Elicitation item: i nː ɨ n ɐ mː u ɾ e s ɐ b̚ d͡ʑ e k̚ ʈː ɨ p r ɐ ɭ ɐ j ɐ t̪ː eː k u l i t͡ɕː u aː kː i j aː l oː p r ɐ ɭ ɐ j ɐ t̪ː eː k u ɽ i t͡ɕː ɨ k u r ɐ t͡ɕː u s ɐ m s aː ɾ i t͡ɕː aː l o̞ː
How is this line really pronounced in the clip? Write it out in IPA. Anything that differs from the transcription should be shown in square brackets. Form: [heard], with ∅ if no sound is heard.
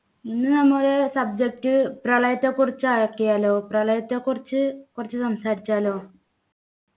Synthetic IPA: i nː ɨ n ɐ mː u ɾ e s ɐ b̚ d͡ʑ e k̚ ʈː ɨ p r ɐ ɭ ɐ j ɐ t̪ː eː k u [r] i t͡ɕː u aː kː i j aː l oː p r ɐ ɭ ɐ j ɐ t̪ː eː k u [r] i t͡ɕː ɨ k u r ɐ t͡ɕː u s ɐ m s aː ɾ i t͡ɕː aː l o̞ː